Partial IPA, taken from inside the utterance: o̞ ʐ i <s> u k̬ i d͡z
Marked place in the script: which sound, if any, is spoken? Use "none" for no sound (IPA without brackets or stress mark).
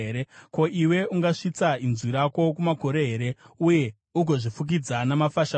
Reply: f